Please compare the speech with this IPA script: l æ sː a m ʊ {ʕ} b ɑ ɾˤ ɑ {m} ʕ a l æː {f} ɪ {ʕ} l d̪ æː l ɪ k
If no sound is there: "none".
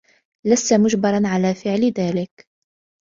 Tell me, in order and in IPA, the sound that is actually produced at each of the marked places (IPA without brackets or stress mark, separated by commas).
ʒ, n, f, ʕ